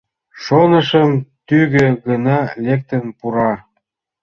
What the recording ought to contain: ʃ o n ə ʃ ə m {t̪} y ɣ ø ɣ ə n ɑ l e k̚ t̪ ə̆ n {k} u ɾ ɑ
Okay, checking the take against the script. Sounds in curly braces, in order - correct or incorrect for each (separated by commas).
correct, incorrect